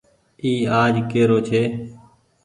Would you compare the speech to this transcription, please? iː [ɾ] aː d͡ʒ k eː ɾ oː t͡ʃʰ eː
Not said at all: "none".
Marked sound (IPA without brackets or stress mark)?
none